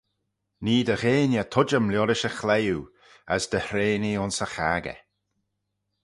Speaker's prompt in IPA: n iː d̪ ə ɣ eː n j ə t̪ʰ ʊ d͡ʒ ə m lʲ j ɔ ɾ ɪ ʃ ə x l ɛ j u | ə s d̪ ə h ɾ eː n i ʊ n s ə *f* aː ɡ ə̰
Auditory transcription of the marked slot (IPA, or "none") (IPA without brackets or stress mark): x